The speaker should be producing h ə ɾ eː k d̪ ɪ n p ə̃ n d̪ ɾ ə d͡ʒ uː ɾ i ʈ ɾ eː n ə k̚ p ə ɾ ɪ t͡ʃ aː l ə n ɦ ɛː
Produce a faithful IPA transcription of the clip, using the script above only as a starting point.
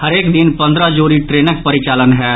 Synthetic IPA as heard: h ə ɾ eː k d̪ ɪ n p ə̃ n d̪ ɾ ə d͡ʒ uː ɾ i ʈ ɾ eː n ə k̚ p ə ɾ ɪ t͡ʃ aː l ə n ɦ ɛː

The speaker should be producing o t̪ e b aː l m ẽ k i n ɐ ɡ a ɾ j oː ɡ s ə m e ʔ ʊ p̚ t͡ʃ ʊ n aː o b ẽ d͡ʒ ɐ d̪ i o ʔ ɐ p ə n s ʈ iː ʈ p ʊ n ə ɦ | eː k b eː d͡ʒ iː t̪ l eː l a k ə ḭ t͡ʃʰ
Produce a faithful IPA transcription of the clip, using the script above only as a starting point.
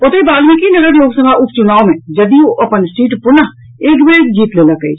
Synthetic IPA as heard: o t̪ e b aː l m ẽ k i n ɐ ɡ ə ɾ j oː ɡ s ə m a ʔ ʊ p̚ t͡ʃ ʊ n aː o m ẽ d͡ʒ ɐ d̪ i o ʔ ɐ p ə n s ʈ iː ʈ p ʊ n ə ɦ | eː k b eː d͡ʒ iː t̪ l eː l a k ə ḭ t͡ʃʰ

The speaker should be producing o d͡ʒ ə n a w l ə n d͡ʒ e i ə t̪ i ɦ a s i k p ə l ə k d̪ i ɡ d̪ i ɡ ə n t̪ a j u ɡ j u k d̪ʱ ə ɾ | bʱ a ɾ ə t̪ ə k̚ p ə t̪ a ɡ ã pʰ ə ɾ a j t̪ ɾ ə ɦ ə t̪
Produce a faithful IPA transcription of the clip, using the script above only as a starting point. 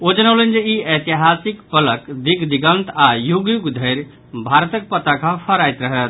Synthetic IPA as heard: o d͡ʒ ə n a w l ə n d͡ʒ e i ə t̪ i ɦ a s i k p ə l ə k d̪ i ɡ d̪ i ɡ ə n t̪ a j u ɡ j u ɡ d̪ʱ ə ɾ | bʱ a ɾ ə t̪ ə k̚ p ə t̪ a k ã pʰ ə ɾ a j t̪ ɾ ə ɦ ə t̪

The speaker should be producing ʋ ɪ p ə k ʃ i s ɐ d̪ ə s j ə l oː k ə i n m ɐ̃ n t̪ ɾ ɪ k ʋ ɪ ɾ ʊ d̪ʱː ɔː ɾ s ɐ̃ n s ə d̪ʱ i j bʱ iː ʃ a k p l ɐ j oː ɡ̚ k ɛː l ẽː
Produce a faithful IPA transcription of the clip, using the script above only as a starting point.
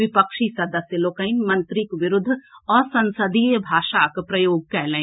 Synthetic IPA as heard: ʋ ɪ p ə k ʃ i s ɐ d̪ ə s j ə l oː k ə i n m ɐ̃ n t̪ ɾ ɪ k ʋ ɪ ɾ ʊ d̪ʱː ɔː ɾ s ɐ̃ n s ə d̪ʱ i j bʱ aː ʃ a k p ɾ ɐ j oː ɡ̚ k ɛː l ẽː

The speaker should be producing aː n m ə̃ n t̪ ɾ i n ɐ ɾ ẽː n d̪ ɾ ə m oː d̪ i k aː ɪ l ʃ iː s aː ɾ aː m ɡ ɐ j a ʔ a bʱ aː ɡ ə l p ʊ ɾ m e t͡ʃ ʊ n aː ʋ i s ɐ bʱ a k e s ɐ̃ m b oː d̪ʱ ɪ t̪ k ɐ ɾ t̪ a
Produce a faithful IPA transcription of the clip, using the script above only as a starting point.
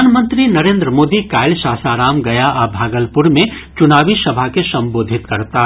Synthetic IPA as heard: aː n m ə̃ n t̪ ɾ i n ɐ ɾ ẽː n d̪ ɾ ə m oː d̪ i k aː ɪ l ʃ aː s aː ɾ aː m ɡ ɐ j a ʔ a bʱ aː ɡ ə l p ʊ ɾ m ẽ t͡ʃ ʊ n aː ʋ i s ɐ bʱ a k e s ɐ̃ m b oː d̪ʱ ɪ t̪ k ɐ ɾ t̪ a

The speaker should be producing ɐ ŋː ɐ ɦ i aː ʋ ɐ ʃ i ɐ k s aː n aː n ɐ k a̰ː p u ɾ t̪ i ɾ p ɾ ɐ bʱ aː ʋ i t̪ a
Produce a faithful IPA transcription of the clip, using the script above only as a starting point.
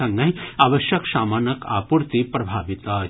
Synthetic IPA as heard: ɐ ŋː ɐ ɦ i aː ʋ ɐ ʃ j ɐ k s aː m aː n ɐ k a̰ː p u ɾ t̪ i p ɾ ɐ bʱ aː ʋ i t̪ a

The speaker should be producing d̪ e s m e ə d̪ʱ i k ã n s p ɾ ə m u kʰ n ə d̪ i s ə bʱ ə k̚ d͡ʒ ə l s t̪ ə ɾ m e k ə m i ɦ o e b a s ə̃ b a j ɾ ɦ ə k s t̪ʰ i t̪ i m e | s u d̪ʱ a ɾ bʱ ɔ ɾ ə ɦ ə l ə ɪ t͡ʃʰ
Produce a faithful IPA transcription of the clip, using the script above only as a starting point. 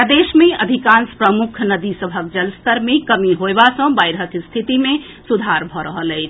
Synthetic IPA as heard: d̪ e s m e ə d̪ʱ i k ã n s p ɾ ə m u kʰ n ə d̪ i s ə bʱ ə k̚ d͡ʒ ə l s t̪ ə ɾ m e k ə m i ɦ o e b a s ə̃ b a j ɾ ɦ ə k s t̪ʰ i t̪ i m e | s u d̪ʱ a ɾ bʱ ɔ ɾ ə ɦ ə l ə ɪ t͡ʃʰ

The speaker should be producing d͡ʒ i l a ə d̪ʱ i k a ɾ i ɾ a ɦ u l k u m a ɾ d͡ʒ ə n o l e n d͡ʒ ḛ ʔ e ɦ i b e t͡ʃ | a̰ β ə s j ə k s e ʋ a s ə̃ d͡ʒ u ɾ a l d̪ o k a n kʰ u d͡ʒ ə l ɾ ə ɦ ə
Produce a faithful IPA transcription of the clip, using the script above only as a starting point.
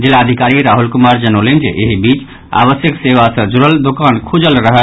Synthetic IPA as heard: d͡ʒ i l a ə d̪ʱ i k a ɾ i ɾ a ɦ u l k u m a ɾ d͡ʒ ə n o l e n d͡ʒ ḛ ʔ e ɦ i b i t͡ʃ | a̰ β ə s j ə k s e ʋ a s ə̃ d͡ʒ u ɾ ə l d̪ o k a n kʰ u d͡ʒ ə l ɾ ə ɦ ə

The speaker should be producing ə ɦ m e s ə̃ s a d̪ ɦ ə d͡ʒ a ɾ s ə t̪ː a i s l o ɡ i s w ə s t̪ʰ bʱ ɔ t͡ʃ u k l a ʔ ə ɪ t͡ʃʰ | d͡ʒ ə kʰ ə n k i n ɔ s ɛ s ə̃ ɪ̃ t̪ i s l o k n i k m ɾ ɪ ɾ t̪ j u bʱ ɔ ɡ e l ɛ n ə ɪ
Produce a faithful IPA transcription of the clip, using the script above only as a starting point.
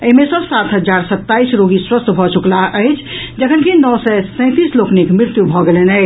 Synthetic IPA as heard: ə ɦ m e s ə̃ s a t̪ ɦ ə d͡ʒ a ɾ s ə t̪ː a i s ɾ o ɡ i s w ə s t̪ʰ bʱ ɔ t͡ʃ u k l a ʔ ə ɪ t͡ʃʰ | d͡ʒ ə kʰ ə n k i n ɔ s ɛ s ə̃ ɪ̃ t̪ i s l o k n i k m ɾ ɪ ɾ t̪ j u bʱ ɔ ɡ e l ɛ n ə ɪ

